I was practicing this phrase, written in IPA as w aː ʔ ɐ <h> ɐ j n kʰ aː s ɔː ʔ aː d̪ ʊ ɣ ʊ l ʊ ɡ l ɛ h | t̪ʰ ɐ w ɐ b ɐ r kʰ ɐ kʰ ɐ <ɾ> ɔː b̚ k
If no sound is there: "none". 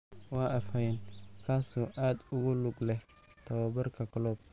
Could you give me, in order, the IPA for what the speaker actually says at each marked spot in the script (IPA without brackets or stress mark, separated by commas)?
f, l